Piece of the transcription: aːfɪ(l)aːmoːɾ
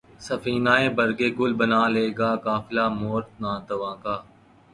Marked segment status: correct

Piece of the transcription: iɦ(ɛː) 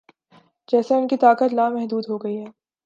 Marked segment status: correct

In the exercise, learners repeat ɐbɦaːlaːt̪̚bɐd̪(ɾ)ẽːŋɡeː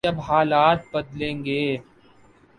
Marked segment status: incorrect: l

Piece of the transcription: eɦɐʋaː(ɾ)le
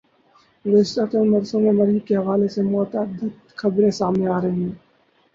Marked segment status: incorrect: none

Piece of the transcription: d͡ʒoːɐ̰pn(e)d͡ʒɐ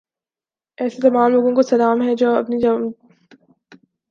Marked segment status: incorrect: i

